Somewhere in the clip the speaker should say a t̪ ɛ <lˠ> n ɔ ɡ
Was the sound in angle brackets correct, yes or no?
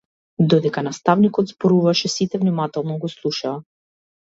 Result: yes